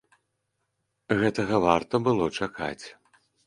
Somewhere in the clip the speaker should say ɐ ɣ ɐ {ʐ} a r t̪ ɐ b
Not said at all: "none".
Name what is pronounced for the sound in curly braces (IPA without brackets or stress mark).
v